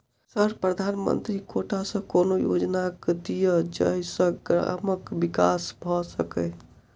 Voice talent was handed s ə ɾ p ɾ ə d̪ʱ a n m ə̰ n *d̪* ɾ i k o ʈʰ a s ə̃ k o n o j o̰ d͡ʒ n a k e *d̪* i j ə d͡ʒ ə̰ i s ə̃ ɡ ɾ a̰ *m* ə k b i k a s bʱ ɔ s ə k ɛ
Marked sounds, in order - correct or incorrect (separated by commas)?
incorrect, correct, correct